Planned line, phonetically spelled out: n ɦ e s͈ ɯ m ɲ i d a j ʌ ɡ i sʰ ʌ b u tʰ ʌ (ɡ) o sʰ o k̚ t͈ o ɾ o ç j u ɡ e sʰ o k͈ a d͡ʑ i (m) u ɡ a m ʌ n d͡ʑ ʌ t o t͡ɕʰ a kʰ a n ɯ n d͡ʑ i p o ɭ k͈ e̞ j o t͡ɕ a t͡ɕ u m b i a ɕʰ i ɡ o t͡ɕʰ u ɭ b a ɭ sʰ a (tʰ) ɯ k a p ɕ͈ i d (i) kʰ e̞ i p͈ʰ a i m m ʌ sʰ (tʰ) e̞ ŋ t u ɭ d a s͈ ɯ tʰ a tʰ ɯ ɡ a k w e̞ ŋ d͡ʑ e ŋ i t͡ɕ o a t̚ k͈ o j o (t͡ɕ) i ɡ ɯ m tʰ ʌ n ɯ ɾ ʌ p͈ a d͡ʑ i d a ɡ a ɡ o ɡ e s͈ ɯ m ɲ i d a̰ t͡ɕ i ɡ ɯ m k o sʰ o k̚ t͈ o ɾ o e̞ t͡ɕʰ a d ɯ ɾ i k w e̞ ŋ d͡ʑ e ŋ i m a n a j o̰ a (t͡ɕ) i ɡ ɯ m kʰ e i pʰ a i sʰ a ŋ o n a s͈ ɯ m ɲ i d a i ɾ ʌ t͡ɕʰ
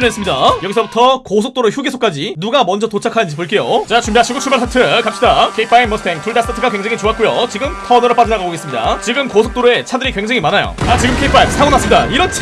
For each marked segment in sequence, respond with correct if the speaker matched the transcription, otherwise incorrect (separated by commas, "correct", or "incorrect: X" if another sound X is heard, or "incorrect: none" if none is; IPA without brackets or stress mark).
incorrect: k, incorrect: n, correct, incorrect: a, correct, correct, correct